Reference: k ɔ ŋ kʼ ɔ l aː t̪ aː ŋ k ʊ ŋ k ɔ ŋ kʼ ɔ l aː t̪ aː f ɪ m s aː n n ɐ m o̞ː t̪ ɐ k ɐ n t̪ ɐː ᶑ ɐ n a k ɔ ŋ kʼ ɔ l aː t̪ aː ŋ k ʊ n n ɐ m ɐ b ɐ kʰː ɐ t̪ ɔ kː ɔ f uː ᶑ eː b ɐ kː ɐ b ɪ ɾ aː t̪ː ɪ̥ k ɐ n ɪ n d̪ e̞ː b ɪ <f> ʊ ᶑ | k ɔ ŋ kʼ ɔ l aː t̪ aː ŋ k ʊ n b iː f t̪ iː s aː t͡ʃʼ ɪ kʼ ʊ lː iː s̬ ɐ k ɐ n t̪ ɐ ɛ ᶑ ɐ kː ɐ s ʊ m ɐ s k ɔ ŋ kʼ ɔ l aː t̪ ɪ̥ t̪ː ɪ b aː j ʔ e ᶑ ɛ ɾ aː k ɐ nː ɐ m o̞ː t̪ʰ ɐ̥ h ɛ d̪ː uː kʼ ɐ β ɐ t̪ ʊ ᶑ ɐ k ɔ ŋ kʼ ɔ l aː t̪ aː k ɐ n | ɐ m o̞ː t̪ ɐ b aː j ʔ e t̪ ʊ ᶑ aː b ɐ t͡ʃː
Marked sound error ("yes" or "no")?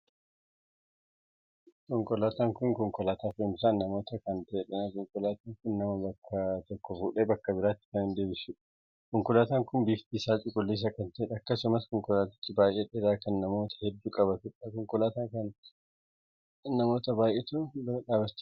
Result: yes